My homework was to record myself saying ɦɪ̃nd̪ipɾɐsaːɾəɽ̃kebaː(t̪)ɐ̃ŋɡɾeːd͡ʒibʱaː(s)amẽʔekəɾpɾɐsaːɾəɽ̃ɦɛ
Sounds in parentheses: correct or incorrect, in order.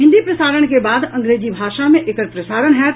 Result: incorrect: d̪, incorrect: ʃ

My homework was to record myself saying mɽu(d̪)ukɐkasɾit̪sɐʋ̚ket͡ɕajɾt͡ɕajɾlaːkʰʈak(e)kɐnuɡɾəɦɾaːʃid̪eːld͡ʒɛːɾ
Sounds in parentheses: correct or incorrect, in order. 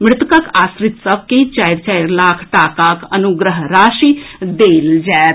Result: incorrect: t̪, incorrect: a

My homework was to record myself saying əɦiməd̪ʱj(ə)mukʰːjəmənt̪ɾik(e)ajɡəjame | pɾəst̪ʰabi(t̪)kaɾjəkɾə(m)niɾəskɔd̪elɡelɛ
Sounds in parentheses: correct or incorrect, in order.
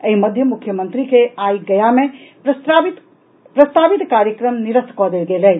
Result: correct, correct, correct, correct

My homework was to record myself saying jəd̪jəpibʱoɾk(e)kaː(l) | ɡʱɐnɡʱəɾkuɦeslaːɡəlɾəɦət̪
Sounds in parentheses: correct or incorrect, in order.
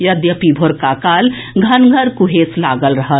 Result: incorrect: a, correct

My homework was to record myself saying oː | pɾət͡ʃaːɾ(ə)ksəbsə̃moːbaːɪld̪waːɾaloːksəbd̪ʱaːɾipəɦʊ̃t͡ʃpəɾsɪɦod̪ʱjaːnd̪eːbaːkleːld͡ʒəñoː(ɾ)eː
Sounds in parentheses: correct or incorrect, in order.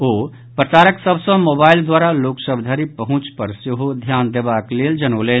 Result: correct, incorrect: l

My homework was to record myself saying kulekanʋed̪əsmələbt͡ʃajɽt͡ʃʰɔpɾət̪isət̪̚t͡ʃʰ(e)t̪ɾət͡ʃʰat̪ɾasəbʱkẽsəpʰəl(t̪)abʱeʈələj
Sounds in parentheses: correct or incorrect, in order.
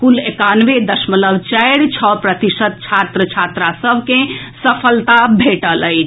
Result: incorrect: a, correct

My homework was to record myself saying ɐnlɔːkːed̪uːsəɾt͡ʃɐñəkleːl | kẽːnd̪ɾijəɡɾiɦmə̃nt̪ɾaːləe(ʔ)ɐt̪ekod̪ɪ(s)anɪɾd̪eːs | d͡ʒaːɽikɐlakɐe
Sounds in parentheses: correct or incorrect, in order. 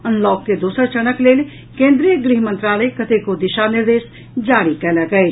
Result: incorrect: k, incorrect: ʃ

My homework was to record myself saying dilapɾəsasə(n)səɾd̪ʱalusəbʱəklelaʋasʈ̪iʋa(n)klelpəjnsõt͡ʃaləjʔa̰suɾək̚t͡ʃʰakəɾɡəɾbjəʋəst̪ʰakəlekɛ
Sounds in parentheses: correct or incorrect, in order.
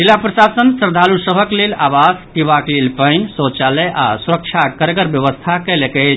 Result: correct, incorrect: none

